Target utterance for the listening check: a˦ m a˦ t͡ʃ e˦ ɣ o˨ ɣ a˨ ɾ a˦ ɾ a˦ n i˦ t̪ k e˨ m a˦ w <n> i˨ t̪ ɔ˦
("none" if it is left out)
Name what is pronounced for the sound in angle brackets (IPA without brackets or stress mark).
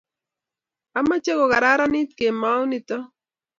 n